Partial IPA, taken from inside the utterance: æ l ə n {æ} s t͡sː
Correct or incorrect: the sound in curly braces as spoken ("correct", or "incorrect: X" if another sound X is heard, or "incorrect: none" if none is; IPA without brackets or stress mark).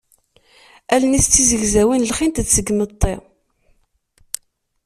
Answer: incorrect: i